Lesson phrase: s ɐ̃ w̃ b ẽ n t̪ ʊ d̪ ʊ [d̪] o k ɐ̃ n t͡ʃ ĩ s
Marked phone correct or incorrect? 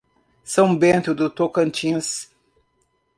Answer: incorrect